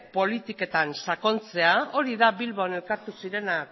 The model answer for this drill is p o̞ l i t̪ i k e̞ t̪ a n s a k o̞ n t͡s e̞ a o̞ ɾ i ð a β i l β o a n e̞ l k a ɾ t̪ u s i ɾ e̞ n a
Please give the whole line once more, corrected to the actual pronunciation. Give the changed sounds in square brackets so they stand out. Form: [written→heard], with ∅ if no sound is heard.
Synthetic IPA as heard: p o̞ l i t̪ i k e̞ t̪ a n s a k o̞ n t͡s e̞ a o̞ ɾ i ð a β i l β o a n e̞ l k a ɾ t̪ u s i ɾ e̞ n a